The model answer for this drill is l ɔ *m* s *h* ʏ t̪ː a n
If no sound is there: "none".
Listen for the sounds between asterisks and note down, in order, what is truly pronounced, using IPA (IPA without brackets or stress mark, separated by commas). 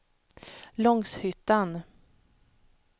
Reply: ŋ, h